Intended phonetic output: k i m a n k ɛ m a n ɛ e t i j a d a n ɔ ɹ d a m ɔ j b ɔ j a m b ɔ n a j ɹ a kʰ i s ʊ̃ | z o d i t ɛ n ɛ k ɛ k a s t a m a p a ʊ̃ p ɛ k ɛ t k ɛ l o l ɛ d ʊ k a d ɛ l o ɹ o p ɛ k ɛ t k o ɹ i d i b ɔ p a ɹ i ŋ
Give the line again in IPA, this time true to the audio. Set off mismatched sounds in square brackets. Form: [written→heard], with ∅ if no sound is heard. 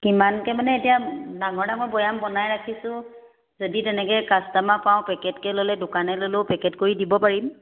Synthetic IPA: k i m a n k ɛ m a n ɛ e t i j a d a [n→ŋ] ɔ ɹ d a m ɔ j b ɔ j a m b ɔ n a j ɹ a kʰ i s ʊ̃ | z o d i t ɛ n ɛ k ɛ k a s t a m a p a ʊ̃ p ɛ k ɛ t k ɛ l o l ɛ d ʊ k a [d→n] ɛ l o [ɹ→l] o p ɛ k ɛ t k o ɹ i d i b ɔ p a ɹ i [ŋ→m]